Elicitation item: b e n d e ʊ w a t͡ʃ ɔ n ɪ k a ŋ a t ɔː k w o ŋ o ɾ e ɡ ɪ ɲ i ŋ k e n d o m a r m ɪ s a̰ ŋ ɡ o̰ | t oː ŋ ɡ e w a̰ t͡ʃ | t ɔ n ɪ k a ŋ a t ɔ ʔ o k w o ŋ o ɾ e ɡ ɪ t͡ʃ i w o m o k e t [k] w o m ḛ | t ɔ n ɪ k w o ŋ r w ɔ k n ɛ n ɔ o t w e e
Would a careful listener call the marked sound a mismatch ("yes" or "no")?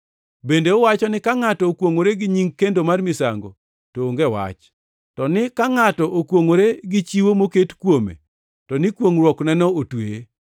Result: no